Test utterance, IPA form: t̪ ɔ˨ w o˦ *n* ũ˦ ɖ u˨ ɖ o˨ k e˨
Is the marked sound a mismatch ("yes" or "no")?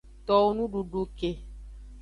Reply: no